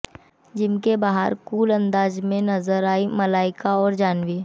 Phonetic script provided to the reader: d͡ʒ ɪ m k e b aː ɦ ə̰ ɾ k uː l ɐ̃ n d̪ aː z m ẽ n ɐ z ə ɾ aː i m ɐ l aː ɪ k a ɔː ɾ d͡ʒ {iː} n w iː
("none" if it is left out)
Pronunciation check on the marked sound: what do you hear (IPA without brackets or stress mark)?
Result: aː